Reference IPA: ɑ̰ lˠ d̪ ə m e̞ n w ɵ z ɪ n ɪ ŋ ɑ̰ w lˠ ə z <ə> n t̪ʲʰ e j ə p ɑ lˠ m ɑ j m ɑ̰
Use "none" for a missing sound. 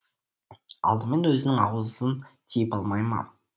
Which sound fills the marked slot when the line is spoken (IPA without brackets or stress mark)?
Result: ə